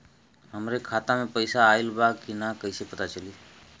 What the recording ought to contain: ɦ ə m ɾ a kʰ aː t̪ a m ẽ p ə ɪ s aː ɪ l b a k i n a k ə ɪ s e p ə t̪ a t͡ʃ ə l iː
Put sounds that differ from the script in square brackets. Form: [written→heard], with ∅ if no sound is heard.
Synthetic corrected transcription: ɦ ə m ɾ [a→e] kʰ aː t̪ a m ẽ p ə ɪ s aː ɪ l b a k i n a k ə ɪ s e p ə t̪ a t͡ʃ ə l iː

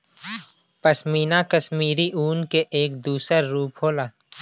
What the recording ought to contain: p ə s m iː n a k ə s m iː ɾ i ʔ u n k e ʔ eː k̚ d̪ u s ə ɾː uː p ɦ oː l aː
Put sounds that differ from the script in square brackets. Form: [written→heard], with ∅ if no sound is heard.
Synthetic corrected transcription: p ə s m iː n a k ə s m iː ɾ i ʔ [u→uː] n k e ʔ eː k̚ d̪ [u→uː] s ə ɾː uː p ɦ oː l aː

